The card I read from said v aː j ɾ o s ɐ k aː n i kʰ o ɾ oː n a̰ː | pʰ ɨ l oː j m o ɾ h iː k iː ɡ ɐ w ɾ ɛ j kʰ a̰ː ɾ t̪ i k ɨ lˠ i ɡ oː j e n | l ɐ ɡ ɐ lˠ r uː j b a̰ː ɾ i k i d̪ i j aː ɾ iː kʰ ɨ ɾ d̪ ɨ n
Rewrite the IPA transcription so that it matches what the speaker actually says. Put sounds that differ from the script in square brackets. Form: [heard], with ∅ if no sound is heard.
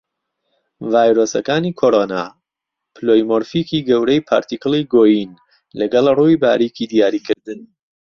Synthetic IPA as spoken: v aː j ɾ o s ɐ k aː n i kʰ o ɾ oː n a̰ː | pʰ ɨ l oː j m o ɾ [f] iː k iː ɡ ɐ w ɾ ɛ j [pʰ] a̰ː ɾ t̪ i k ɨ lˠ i ɡ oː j [i] n | l ɐ ɡ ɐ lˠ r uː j b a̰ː ɾ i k i d̪ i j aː ɾ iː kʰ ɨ ɾ d̪ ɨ n